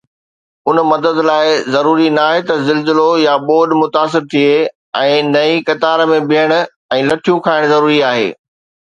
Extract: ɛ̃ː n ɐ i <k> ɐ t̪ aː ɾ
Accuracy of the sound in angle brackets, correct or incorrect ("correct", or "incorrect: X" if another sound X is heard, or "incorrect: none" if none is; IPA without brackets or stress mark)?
correct